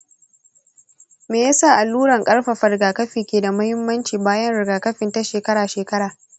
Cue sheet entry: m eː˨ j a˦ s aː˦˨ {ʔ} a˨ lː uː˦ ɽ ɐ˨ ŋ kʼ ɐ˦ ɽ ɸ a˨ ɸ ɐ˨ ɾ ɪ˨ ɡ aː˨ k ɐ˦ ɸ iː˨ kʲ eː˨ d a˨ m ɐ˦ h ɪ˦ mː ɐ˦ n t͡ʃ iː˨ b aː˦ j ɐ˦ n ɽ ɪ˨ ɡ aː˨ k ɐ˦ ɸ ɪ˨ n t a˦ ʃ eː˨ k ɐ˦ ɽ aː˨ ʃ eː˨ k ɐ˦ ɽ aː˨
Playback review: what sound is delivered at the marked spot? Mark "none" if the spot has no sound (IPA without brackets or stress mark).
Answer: ʔ